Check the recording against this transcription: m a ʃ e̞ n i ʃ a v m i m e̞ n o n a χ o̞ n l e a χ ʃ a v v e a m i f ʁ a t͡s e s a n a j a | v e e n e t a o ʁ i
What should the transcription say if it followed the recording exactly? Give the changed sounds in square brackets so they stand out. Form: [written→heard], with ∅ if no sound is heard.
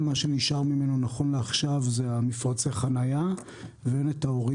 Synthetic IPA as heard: m a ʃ e̞ n i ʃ a [v→ʁ] m i m e̞ n o n a χ o̞ n l e a χ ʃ a v [v→z] e a m i f ʁ a t͡s e [s→χ] a n a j a | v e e n e t a o ʁ i